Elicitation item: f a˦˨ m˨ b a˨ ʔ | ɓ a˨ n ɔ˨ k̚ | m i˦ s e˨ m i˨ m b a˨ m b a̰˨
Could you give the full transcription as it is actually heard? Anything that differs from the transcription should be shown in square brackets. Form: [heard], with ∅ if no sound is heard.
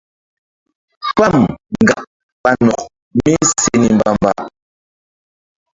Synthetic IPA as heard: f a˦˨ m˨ [ɡ] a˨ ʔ | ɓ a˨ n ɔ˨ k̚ | m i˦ s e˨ [n] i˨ m b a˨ m b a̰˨